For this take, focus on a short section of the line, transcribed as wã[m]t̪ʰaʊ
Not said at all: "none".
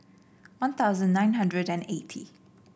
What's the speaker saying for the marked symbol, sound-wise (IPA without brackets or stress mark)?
n